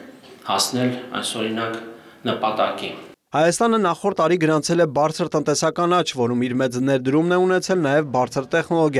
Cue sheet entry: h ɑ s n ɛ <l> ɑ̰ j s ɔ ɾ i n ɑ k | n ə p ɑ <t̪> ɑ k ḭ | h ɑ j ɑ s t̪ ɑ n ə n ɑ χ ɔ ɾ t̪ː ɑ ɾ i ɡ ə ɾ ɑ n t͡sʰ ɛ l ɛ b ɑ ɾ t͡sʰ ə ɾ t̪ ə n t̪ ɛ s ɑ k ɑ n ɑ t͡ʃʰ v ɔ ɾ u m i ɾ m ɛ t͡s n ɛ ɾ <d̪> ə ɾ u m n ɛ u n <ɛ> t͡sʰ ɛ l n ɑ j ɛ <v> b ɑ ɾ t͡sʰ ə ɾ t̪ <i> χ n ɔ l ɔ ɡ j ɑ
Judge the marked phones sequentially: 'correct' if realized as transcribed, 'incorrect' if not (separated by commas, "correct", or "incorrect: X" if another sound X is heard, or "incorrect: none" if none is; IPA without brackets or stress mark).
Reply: correct, correct, correct, correct, correct, incorrect: ɛ